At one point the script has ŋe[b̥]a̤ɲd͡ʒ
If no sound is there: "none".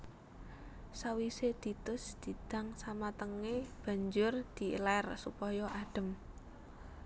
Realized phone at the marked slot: b̥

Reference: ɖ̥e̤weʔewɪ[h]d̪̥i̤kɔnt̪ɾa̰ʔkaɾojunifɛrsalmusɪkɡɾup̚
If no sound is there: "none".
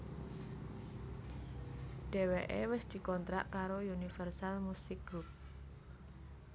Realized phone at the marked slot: s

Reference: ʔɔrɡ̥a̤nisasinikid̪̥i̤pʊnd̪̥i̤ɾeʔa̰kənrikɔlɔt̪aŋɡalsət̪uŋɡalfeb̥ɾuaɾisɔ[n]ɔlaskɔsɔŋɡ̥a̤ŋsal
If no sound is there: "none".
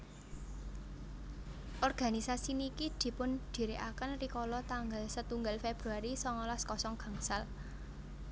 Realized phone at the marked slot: ŋ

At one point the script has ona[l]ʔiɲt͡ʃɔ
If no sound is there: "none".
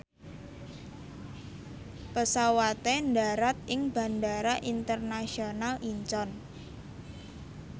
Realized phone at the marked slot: l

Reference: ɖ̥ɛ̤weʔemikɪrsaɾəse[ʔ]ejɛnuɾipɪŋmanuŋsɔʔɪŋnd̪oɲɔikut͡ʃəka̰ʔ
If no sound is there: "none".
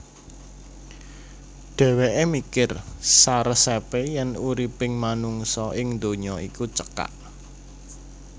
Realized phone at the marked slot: p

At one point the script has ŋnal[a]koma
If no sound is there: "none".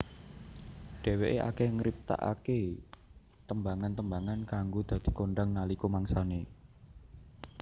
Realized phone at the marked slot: i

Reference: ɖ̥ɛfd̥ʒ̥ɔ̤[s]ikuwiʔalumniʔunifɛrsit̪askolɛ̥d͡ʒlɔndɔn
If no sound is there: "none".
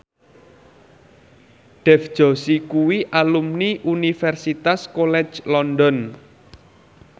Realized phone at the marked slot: s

